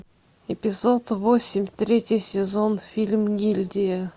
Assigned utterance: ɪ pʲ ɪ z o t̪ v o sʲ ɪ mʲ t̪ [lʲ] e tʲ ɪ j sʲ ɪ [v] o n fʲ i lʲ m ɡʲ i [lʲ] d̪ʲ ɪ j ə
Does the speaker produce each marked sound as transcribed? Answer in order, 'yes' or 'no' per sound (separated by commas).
no, no, yes